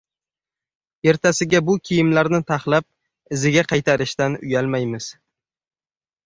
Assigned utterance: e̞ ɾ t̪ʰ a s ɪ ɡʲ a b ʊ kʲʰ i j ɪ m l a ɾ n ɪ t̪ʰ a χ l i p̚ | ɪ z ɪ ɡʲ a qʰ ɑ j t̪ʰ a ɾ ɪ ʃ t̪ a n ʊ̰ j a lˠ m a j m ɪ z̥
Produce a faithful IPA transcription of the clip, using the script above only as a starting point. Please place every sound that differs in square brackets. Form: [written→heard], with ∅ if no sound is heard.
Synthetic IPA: e̞ ɾ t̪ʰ a s ɪ ɡʲ a b ʊ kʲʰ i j ɪ m l a ɾ n ɪ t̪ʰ a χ l [i→a] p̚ | ɪ z ɪ ɡʲ a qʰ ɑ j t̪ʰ a ɾ ɪ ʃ t̪ a n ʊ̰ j a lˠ m a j m ɪ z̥